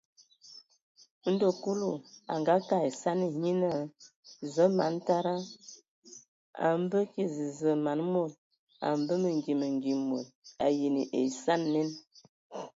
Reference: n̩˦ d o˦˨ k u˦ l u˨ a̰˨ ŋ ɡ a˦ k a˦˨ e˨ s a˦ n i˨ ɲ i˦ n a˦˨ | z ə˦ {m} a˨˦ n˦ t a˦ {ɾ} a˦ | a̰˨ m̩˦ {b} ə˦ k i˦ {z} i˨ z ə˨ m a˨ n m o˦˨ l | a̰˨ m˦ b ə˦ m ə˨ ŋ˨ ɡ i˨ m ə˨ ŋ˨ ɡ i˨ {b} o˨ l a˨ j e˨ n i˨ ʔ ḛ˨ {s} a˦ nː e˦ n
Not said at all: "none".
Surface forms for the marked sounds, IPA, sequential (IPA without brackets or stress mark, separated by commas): m, ɾ, b, z, m, s